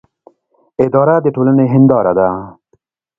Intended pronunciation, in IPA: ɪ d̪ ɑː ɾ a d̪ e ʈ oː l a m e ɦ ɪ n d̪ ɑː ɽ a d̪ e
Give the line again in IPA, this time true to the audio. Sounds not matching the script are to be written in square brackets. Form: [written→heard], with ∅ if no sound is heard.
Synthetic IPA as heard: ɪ d̪ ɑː ɾ a d̪ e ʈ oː l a [m→n] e ɦ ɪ n d̪ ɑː [ɽ→ɾ] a d̪ [e→a]